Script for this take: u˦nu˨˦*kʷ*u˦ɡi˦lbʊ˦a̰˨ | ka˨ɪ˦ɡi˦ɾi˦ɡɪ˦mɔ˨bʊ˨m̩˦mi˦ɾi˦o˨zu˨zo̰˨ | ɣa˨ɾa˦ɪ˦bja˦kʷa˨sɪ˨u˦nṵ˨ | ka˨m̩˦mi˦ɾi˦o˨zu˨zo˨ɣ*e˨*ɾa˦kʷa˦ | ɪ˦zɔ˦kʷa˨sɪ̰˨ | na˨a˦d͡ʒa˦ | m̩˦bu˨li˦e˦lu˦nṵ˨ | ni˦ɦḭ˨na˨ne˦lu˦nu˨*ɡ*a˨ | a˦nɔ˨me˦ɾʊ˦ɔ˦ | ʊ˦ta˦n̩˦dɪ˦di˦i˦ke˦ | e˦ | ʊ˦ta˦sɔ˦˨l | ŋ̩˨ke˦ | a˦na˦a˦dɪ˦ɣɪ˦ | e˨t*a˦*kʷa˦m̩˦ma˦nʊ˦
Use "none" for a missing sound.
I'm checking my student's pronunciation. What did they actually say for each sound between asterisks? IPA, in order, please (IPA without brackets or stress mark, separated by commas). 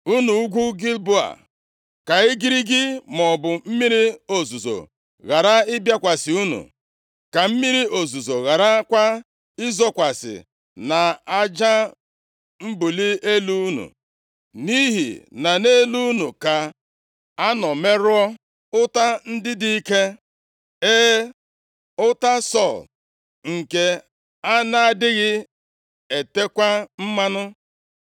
ɡʷ, a˨, k, e˦